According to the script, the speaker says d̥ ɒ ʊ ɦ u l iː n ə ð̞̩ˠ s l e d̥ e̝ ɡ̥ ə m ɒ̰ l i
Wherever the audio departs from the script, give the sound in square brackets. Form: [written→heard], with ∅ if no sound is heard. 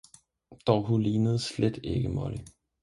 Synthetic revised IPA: d̥ ɒ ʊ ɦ u l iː n ə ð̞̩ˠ s l e d̥ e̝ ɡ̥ ə m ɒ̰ l i